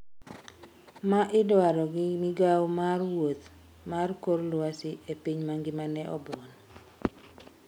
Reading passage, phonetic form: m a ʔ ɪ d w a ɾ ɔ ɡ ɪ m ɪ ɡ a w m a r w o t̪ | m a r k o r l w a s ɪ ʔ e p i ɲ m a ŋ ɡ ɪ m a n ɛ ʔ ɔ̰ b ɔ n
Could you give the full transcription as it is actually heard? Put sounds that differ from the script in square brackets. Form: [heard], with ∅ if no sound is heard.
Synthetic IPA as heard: m a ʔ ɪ d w a ɾ ɔ ɡ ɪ m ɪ ɡ a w m a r w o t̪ | m a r k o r l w a s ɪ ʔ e p i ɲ m a ŋ ɡ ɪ m a n ɛ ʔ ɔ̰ b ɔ n